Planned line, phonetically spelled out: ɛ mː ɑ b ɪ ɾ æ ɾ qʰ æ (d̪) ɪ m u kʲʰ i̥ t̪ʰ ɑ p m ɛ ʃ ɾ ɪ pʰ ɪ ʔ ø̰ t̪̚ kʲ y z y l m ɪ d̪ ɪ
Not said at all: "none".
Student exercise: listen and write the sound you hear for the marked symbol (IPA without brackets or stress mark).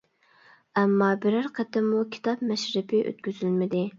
t̪